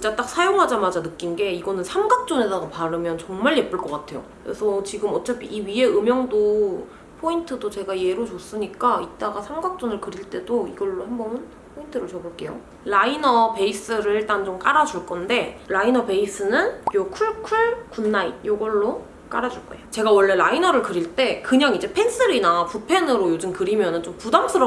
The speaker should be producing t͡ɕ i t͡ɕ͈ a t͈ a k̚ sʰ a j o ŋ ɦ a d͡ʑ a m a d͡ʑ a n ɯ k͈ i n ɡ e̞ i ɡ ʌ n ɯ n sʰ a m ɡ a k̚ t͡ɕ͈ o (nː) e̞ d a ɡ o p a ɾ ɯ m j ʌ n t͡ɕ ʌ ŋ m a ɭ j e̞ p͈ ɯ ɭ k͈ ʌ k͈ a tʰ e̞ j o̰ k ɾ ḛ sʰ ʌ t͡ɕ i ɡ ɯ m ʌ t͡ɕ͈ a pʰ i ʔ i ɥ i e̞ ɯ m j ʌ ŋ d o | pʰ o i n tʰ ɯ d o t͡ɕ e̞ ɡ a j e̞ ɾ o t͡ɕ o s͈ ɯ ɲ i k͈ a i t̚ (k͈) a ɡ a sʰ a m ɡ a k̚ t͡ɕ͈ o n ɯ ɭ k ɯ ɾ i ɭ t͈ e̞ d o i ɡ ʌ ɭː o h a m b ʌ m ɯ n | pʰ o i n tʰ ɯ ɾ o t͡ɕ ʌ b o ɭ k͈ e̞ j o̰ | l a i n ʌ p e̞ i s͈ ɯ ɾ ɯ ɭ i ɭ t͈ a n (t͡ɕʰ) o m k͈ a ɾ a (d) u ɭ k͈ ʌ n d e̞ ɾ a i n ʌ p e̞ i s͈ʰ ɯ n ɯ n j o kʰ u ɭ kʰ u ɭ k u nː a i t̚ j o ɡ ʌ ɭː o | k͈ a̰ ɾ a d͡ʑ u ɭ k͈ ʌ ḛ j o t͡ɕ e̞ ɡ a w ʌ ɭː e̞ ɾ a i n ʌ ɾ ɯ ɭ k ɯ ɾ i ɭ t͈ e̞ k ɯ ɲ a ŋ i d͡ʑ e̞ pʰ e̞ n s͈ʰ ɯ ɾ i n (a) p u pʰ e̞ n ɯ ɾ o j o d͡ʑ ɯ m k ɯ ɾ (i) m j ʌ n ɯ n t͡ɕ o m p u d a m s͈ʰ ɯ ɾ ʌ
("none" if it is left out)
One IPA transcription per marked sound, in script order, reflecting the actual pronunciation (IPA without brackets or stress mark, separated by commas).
n, t͈, t͡ɕ, d͡ʑ, a, i